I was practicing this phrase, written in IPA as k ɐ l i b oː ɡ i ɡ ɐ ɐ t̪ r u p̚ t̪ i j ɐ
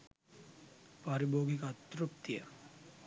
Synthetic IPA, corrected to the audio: p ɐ ɾ i b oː ɡ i k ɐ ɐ t̪ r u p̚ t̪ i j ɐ